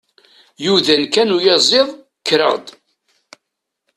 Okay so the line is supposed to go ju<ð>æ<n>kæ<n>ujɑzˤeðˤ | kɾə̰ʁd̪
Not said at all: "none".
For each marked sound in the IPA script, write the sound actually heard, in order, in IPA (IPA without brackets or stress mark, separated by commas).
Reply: ð, n, n